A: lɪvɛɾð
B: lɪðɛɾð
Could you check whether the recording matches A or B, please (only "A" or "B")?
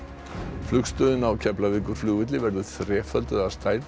A